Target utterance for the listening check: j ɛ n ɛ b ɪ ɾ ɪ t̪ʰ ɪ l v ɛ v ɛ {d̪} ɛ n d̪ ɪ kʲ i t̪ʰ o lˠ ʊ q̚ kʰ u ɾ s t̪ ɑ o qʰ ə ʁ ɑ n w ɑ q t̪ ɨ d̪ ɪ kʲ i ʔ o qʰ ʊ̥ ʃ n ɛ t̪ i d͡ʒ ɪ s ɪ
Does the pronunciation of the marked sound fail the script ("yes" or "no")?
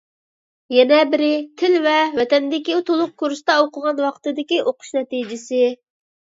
yes